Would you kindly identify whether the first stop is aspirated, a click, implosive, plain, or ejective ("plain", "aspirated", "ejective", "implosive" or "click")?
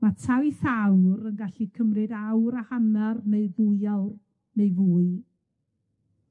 aspirated